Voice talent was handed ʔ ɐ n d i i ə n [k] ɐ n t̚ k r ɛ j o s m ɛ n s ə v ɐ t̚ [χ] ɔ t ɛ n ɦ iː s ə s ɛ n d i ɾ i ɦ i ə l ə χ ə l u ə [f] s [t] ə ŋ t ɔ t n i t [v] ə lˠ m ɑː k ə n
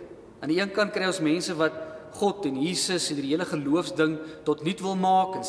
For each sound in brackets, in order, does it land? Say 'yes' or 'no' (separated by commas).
yes, yes, yes, no, yes